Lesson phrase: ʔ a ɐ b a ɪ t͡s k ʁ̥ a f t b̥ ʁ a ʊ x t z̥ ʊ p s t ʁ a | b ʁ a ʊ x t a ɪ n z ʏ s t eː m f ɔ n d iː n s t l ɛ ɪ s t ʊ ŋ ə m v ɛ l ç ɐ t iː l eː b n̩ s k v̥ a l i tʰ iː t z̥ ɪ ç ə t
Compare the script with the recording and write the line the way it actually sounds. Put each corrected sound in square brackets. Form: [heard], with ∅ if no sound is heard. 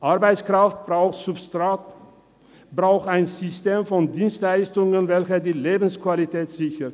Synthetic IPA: ʔ a ɐ b a ɪ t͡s k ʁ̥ a f t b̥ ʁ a ʊ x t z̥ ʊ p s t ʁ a | b ʁ a ʊ x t a ɪ n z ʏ s t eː m f ɔ n d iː n s t l [a] ɪ s t ʊ ŋ ə [n] v ɛ l ç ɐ [d] iː l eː b n̩ s k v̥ a l i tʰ [ɛː] t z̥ ɪ ç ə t

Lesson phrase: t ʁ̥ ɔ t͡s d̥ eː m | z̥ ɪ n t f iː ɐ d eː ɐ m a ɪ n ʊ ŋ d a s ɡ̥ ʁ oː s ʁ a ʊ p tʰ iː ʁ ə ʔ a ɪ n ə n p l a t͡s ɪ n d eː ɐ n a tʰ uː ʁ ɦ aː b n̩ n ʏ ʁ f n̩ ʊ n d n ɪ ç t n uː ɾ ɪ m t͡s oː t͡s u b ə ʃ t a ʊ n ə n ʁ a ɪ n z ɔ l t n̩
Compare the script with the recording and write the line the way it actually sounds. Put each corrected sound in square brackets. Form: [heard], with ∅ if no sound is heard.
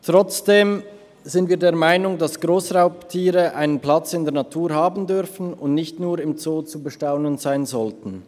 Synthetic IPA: t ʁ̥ ɔ t͡s d̥ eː m | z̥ ɪ n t [v] iː ɐ d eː ɐ m a ɪ n ʊ ŋ d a s ɡ̥ ʁ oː s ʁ a ʊ p tʰ iː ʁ ə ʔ a ɪ n ə n p l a t͡s ɪ n d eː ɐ n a tʰ uː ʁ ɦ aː b n̩ [d] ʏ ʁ f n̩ ʊ n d n ɪ ç t n uː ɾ ɪ m t͡s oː t͡s u b ə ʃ t a ʊ n ə n [z] a ɪ n z ɔ l t n̩

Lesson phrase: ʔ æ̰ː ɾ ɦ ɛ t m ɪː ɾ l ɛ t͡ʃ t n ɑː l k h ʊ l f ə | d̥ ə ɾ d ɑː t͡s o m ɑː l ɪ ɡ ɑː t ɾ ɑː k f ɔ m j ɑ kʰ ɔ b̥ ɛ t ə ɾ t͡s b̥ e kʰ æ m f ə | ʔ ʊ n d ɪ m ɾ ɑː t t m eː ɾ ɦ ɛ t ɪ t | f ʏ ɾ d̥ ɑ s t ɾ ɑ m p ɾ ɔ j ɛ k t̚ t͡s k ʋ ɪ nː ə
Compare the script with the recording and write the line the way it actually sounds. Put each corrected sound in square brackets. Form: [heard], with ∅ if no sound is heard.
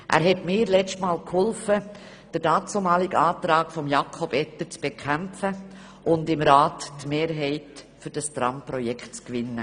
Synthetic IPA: ʔ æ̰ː ɾ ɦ ɛ t m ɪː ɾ l ɛ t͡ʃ t [m] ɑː l k h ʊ l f ə | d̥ ə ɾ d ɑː t͡s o m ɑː l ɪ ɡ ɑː t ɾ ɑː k f ɔ m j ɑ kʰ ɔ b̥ ɛ t ə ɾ t͡s b̥ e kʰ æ m f ə | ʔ ʊ n d ɪ m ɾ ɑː t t m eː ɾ ɦ ɛ [∅] ɪ t | f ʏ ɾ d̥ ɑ s t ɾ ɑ m p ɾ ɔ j ɛ k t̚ t͡s k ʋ ɪ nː ə

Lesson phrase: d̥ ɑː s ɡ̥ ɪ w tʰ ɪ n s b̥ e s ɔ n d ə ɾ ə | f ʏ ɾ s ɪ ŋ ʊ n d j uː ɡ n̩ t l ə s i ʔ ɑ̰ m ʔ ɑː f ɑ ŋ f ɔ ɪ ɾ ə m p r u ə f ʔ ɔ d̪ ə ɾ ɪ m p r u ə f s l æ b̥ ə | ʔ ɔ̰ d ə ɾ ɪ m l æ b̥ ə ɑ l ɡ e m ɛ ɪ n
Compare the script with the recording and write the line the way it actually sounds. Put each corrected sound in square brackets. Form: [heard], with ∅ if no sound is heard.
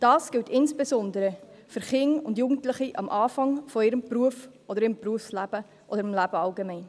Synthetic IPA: d̥ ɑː s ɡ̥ ɪ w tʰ ɪ n s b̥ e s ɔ n d ə ɾ ə | f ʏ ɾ [χ] ɪ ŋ ʊ n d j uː ɡ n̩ t l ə [χ] i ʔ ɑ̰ m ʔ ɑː f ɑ ŋ f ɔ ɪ ɾ ə m p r u ə f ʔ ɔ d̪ ə ɾ ɪ m p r u ə f s l æ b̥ ə | ʔ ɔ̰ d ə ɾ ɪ m l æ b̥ ə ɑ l ɡ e m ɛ ɪ n

